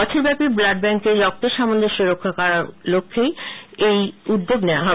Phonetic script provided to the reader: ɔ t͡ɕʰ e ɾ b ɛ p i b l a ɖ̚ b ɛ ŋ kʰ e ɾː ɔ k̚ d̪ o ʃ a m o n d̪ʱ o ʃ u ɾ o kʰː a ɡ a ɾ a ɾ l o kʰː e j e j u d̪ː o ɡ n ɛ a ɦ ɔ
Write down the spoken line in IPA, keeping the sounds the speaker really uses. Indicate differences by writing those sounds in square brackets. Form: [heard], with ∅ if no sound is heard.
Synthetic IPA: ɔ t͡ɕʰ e ɾ b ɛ p i b l a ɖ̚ b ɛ ŋ [k] e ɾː ɔ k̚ [t̪] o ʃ a m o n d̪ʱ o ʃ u ɾ o kʰː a [k] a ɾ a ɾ l o kʰː e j e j u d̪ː o ɡ n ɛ a ɦ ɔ

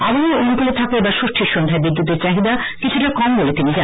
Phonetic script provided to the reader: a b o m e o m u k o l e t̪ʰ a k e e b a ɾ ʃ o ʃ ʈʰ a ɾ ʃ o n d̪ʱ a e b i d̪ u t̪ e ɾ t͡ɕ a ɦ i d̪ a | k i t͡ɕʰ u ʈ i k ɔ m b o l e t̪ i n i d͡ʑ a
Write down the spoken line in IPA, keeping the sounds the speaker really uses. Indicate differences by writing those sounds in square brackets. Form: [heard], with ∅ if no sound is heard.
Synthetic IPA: a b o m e o [n] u k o l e t̪ʰ a k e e b a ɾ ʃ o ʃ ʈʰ [i] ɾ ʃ o n d̪ʱ a e b i [d̪ː] u t̪ e ɾ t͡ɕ a ɦ i d̪ a | k i t͡ɕʰ u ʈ [a] k ɔ m b o l e t̪ i n i d͡ʑ a

